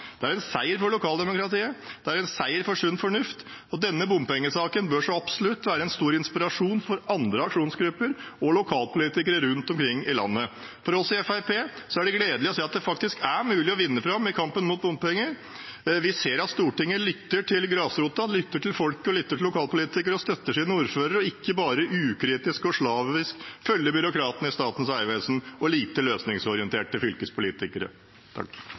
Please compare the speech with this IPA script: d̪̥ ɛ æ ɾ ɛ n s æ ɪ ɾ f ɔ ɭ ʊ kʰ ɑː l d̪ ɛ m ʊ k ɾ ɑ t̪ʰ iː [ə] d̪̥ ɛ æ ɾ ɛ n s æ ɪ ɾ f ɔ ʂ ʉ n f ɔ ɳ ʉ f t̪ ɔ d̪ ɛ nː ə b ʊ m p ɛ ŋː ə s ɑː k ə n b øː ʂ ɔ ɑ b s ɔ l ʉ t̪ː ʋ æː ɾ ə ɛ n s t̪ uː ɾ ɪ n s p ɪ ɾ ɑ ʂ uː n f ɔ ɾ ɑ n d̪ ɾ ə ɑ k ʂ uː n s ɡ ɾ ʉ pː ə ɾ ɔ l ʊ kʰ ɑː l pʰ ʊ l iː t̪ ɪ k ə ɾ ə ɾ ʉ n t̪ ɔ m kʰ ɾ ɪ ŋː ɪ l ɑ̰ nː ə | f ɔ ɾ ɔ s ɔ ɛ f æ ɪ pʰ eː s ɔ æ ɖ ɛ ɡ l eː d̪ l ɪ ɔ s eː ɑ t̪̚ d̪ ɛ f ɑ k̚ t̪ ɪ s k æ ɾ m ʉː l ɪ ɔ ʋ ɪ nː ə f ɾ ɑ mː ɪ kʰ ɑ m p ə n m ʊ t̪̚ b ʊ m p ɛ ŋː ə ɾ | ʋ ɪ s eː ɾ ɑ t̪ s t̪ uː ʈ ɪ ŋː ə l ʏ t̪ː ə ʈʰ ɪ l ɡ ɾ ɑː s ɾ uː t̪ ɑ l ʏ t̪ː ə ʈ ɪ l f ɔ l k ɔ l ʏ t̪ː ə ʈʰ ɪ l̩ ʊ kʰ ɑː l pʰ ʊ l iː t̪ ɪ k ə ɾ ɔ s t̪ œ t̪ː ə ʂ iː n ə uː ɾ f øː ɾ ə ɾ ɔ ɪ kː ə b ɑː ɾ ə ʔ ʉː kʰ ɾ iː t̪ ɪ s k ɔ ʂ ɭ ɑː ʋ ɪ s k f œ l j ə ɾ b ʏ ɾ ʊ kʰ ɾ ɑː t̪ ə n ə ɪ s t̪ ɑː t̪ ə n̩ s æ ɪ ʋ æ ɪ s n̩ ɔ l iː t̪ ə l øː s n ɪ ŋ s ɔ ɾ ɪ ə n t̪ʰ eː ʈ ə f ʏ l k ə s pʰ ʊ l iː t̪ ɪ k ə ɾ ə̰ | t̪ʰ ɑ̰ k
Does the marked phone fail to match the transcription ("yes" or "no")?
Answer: no